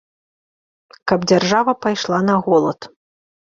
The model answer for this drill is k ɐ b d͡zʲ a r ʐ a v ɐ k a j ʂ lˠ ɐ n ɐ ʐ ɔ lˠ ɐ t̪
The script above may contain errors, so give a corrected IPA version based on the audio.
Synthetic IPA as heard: k ɐ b d͡zʲ a r ʐ a v ɐ p a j ʂ lˠ a n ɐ ɣ ɔ lˠ ɐ t̪